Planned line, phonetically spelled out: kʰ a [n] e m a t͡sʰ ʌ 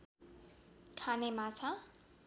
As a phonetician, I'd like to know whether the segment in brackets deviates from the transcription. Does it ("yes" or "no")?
no